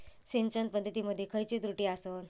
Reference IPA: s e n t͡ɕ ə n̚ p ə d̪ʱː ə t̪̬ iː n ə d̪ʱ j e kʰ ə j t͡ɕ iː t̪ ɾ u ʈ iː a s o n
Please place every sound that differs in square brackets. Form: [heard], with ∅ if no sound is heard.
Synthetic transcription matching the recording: s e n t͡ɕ ə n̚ p ə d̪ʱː ə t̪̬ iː [m] ə d̪ʱ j e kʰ ə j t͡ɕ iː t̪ ɾ u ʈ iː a s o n